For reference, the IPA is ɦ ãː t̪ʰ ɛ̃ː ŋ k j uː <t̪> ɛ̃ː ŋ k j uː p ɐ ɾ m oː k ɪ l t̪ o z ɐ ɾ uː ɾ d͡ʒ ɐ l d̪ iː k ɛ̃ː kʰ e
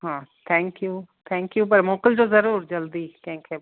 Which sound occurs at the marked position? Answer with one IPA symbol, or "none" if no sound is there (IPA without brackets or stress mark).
t̪ʰ